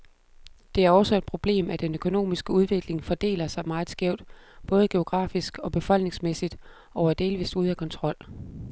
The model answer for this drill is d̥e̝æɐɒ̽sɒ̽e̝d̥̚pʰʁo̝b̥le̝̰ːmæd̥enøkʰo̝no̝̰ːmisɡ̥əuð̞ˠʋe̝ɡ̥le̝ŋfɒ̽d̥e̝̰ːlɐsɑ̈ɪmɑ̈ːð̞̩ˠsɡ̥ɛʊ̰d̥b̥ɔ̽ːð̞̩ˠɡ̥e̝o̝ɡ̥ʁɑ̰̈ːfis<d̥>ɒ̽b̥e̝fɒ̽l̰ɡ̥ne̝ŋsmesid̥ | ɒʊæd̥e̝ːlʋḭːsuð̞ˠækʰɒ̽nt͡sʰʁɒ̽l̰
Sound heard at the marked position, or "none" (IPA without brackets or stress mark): ɡ̥